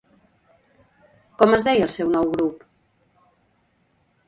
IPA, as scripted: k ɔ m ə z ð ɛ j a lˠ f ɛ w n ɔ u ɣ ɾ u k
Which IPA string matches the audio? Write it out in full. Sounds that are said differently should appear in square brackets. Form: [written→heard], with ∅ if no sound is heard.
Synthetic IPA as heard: k ɔ m ə z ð ɛ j [a→ə] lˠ [f→s] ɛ w n ɔ [u→w] ɣ ɾ u [k→p]